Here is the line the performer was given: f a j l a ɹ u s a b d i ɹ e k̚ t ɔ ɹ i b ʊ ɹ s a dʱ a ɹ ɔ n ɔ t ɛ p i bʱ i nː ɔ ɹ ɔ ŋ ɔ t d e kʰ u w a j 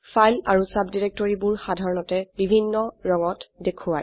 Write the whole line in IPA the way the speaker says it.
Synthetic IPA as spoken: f a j l a ɹ u s a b d i ɹ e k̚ t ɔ ɹ i b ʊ ɹ x a dʱ a ɹ ɔ n ɔ t ɛ b i bʱ i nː ɔ ɹ ɔ ŋ ɔ t d e kʰ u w a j